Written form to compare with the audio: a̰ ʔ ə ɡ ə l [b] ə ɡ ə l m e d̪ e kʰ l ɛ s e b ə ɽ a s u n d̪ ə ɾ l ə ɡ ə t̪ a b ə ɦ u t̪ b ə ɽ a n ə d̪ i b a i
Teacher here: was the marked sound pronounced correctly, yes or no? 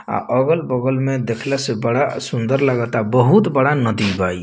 yes